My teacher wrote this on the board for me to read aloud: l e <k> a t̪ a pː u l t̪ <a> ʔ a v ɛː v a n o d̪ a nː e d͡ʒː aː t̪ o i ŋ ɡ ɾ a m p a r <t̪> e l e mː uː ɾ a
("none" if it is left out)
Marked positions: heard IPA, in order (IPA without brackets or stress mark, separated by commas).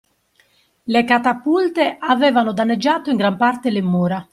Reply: k, e, t̪